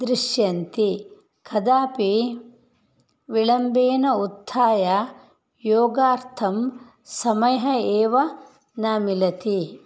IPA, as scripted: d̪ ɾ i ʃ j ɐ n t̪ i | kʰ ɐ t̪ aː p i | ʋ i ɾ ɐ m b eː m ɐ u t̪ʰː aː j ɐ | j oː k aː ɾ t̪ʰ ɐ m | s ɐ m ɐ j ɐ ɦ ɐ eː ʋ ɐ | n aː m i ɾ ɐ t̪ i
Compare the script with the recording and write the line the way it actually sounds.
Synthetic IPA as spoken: d̪ ɾ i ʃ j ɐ n t̪ i | kʰ ɐ d̪ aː p i | ʋ i ɭ ɐ m b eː n ɐ u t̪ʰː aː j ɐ | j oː ɡ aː ɾ t̪ʰ ɐ m | s ɐ m ɐ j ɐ ɦ ɐ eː ʋ ɐ | n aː m i l ɐ t̪ i

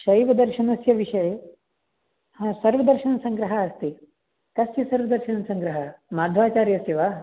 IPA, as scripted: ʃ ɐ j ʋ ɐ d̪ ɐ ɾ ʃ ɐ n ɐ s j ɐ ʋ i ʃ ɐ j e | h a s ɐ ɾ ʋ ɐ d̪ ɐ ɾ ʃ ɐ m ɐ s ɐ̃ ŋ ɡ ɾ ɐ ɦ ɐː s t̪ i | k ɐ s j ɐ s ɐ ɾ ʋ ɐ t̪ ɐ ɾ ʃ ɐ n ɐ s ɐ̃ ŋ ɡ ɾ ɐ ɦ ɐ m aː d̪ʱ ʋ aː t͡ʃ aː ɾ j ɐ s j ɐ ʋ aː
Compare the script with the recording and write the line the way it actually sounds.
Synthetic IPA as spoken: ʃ ɐ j ʋ ɐ d̪ ɐ ɾ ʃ ɐ n ɐ s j ɐ ʋ i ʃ ɐ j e | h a s ɐ ɾ ʋ ɐ d̪ ɐ ɾ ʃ ɐ n ɐ s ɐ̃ ŋ ɡ ɾ ɐ ɦ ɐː s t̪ i | k ɐ s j ɐ s ɐ ɾ ʋ ɐ d̪ ɐ ɾ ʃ ɐ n ɐ s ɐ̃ ŋ ɡ ɾ ɐ ɦ ɐ m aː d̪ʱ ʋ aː t͡ʃ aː ɾ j ɐ s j ɐ ʋ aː

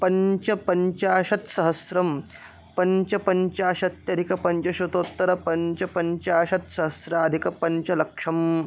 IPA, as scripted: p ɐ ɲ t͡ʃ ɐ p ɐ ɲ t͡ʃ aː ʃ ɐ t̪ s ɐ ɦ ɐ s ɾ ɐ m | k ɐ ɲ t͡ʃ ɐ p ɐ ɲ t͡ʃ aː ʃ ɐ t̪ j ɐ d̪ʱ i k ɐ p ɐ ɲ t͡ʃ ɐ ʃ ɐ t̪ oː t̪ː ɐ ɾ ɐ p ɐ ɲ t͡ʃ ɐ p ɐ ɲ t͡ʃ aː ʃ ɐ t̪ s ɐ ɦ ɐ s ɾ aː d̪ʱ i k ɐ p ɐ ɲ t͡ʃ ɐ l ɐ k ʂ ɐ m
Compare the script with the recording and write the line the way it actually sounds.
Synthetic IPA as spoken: p ɐ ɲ t͡ʃ ɐ p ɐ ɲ t͡ʃ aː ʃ ɐ t̪ s ɐ ɦ ɐ s ɾ ɐ m | p ɐ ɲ t͡ʃ ɐ p ɐ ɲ t͡ʃ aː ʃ ɐ t̪ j ɐ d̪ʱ i k ɐ p ɐ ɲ t͡ʃ ɐ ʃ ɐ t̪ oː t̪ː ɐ ɾ ɐ p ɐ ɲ t͡ʃ ɐ p ɐ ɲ t͡ʃ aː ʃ ɐ t̪ s ɐ ɦ ɐ s ɾ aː d̪ʱ i k ɐ p ɐ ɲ t͡ʃ ɐ l ɐ k ʂ ɐ m

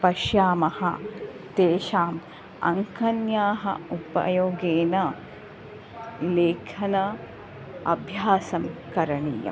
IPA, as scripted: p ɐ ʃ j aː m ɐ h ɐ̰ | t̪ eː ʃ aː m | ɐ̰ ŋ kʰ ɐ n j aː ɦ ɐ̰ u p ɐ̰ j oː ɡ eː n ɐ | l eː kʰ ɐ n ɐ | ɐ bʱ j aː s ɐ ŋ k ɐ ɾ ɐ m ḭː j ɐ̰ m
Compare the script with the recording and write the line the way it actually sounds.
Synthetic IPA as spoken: p ɐ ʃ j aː m ɐ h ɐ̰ | t̪ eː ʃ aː m | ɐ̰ ŋ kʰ ɐ n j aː ɦ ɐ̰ u p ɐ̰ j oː ɡ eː n ɐ | l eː kʰ ɐ n ɐ | ɐ bʱ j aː s ɐ m k ɐ ɾ ɐ ɳ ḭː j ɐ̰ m

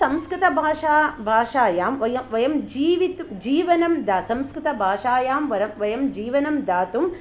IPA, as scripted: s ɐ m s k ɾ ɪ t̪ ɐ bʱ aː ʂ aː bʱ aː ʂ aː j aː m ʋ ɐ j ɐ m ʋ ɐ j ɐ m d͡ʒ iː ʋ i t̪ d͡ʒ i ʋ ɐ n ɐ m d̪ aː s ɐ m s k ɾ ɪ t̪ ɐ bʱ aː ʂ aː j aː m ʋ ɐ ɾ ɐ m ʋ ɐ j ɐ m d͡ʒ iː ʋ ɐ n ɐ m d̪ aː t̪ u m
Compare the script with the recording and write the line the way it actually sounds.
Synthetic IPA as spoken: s ɐ m s k ɾ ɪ t̪ ɐ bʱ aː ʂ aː bʱ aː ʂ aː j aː m ʋ ɐ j ɐ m ʋ ɐ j ɐ m d͡ʒ iː ʋ i t̪ d͡ʒ iː ʋ ɐ n ɐ m d̪ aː s ɐ m s k ɾ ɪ t̪ ɐ bʱ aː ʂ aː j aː m ʋ ɐ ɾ ɐ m ʋ ɐ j ɐ m d͡ʒ iː ʋ ɐ n ɐ m d̪ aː t̪ u m

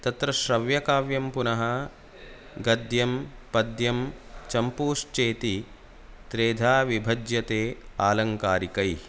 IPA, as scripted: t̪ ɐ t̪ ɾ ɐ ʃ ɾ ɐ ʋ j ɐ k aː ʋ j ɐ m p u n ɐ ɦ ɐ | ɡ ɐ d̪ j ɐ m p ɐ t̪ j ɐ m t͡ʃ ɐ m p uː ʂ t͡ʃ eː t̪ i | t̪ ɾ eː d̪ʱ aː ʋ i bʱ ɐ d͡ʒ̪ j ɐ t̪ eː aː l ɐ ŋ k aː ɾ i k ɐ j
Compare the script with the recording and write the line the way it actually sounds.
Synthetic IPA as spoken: t̪ ɐ t̪ ɾ ɐ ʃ ɾ ɐ ʋ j ɐ k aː ʋ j ɐ m p u n ɐ ɦ ɐ | ɡ ɐ d̪ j ɐ m p ɐ d̪ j ɐ m t͡ʃ ɐ m p uː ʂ t͡ʃ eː t̪ i | t̪ ɾ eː d̪ʱ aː ʋ i bʱ ɐ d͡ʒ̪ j ɐ t̪ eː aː l ɐ ŋ k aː ɾ i k ɐ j

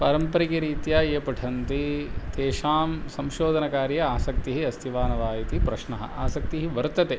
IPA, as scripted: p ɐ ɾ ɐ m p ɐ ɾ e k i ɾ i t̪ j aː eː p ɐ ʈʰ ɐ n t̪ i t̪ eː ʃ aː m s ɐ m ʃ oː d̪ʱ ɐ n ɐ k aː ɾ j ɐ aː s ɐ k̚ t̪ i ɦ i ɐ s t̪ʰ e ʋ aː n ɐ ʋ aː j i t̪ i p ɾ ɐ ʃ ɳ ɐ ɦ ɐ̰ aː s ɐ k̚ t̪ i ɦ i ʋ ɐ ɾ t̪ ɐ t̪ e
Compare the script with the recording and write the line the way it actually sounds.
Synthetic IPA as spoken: p ɐ ɾ ɐ m p ɐ ɾ i k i ɾ iː t̪ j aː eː p ɐ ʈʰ ɐ n t̪ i t̪ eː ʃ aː m s ɐ m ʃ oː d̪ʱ ɐ n ɐ k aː ɾ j ɐ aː s ɐ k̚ t̪ i ɦ i ɐ s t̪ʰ i ʋ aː n ɐ ʋ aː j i t̪ i p ɾ ɐ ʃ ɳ ɐ ɦ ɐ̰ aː s ɐ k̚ t̪ i ɦ i ʋ ɐ ɾ t̪ ɐ t̪ e

